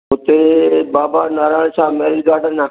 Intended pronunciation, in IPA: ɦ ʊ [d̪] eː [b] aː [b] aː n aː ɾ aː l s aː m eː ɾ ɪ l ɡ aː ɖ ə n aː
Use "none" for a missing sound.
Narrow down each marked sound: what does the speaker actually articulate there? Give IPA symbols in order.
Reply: t̪, b, b

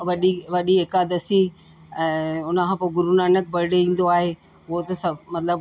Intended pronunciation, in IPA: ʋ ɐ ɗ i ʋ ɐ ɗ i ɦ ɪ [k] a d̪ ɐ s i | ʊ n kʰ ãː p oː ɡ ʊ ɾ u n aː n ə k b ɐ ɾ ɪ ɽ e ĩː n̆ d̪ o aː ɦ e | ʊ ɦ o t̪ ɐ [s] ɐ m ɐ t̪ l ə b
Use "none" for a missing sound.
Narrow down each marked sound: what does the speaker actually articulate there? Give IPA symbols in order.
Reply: k, s

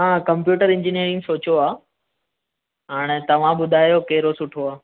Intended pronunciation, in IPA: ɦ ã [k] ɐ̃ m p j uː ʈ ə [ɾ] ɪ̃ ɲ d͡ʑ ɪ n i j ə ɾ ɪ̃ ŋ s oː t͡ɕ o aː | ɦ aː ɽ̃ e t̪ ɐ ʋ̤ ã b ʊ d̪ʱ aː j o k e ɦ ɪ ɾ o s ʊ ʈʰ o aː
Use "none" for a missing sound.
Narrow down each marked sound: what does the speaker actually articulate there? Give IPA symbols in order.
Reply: k, ɾ

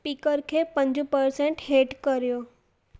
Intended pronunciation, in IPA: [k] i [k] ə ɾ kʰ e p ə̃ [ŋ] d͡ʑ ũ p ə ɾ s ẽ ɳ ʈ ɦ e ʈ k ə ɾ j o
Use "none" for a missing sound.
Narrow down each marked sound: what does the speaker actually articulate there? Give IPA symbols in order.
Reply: p, k, ɲ

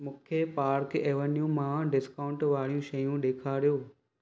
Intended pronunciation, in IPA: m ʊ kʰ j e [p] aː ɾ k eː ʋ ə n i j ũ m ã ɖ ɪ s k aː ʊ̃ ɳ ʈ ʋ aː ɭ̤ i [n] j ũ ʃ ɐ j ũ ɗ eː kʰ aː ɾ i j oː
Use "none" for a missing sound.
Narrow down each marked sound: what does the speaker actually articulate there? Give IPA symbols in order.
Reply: p, none

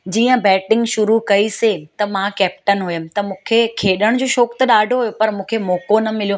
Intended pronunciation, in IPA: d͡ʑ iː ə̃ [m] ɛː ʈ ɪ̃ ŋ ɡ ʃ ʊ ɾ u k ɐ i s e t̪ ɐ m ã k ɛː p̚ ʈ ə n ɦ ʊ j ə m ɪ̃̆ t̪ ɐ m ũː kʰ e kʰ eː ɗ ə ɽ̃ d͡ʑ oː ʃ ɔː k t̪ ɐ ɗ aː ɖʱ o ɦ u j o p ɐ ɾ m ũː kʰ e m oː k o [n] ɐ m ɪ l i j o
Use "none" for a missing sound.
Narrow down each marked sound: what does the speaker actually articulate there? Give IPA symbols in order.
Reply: b, n

